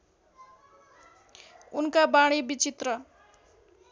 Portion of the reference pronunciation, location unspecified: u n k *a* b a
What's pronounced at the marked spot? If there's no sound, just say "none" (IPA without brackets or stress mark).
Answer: a